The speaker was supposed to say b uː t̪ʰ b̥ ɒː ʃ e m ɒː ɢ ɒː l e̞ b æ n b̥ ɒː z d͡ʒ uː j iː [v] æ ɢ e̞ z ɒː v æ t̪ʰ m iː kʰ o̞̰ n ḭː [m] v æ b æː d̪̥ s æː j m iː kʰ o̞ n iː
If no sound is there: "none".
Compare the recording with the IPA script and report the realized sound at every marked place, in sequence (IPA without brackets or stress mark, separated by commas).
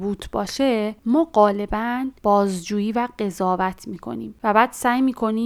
v, m